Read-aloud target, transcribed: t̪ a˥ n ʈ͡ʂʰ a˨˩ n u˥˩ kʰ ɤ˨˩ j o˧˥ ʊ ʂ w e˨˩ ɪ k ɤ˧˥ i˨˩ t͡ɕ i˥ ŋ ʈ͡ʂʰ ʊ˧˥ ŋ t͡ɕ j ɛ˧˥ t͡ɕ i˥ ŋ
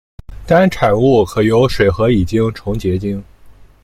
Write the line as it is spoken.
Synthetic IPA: t̪ a˥ n ʈ͡ʂʰ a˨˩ n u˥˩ kʰ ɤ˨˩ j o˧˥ ʊ ʂ w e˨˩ ɪ x ɤ˧˥ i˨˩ t͡ɕ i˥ ŋ ʈ͡ʂʰ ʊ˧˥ ŋ t͡ɕ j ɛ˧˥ t͡ɕ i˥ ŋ